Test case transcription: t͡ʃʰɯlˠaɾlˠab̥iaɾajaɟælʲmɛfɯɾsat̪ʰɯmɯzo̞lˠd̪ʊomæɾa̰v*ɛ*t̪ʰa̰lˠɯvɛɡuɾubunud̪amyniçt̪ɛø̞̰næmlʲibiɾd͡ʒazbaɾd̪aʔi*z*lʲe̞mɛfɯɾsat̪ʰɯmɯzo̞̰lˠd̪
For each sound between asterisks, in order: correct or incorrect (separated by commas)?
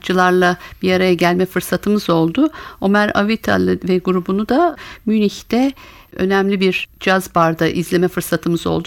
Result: incorrect, correct